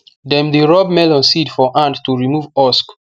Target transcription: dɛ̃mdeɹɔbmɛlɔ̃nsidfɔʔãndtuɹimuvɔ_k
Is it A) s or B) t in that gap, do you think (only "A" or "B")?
A